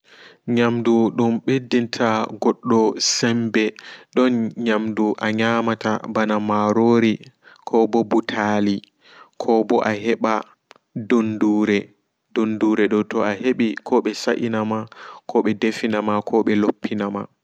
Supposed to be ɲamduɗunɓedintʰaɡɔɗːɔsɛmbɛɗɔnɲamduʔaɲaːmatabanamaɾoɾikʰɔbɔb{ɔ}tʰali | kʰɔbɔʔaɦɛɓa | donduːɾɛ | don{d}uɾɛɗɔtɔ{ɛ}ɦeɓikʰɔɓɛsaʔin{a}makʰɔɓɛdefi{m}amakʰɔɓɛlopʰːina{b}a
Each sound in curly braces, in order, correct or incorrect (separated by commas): incorrect, correct, incorrect, correct, incorrect, incorrect